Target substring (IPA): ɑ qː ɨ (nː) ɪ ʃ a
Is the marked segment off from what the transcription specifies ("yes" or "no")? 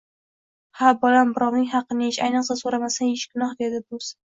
yes